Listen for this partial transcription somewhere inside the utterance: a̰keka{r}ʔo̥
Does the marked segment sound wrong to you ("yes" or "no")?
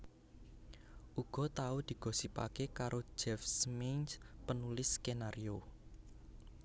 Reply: yes